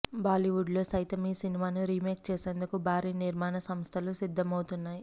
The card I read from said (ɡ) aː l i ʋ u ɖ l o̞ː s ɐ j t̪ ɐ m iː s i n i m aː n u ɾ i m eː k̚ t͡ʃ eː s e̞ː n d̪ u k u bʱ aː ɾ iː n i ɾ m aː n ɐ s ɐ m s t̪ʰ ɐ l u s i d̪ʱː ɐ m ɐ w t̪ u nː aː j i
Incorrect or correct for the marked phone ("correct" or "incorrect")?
incorrect